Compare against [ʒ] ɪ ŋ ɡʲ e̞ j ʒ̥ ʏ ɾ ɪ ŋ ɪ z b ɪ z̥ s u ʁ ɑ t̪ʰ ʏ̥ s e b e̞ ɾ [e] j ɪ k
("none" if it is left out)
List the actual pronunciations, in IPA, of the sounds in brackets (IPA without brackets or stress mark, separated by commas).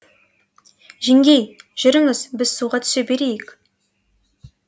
ʒ, e